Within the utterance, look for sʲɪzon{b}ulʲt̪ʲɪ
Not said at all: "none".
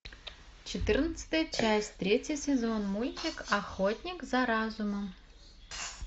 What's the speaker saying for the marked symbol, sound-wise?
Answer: m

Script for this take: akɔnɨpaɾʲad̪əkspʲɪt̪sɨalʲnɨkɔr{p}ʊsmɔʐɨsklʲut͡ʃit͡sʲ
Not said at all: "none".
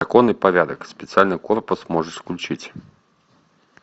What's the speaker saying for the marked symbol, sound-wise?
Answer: p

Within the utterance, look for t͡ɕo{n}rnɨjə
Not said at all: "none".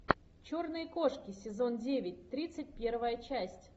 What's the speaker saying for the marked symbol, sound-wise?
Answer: none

